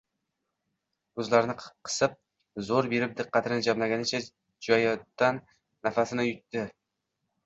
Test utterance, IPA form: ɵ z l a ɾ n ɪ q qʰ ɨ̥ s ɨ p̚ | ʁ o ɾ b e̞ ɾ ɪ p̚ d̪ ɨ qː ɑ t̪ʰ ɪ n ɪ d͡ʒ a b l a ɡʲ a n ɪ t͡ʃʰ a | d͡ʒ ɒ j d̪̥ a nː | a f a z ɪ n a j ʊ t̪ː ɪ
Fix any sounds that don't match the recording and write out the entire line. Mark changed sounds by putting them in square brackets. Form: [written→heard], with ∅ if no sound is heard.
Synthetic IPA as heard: ɵ z l a ɾ n ɪ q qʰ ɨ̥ s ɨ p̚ | [ʁ→z] o ɾ b e̞ ɾ ɪ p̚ d̪ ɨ qː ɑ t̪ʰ ɪ n ɪ d͡ʒ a [b→m] l a ɡʲ a n ɪ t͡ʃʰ a | d͡ʒ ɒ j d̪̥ a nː | a f a [z→s] ɪ n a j ʊ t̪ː ɪ